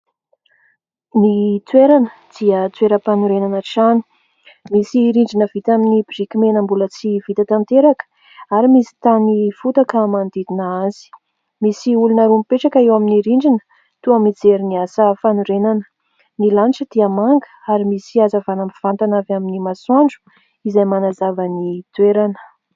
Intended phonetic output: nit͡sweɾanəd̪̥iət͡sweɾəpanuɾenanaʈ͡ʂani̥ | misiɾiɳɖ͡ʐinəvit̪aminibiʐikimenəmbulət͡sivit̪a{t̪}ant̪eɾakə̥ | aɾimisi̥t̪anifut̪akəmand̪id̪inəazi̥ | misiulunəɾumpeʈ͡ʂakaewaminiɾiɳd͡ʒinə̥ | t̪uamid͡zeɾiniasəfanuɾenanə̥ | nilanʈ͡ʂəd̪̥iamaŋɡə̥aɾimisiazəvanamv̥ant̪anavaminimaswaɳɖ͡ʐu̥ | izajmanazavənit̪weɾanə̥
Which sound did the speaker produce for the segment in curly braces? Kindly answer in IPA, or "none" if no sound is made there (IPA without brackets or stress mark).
t̪